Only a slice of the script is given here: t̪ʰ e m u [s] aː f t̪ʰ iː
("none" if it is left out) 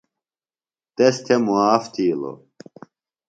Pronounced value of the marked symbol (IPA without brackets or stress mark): none